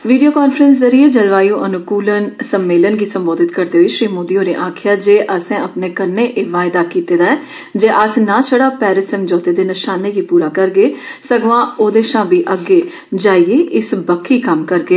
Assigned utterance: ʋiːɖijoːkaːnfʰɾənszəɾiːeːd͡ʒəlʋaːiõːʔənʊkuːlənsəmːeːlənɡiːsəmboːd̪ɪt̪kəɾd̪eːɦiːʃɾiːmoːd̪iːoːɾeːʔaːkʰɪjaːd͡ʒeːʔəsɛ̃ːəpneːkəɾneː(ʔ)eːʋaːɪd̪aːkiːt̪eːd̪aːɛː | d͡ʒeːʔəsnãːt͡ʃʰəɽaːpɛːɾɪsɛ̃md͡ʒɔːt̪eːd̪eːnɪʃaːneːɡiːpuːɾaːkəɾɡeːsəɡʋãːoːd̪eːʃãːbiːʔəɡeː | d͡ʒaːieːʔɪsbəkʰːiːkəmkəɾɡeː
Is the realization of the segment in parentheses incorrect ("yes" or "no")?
no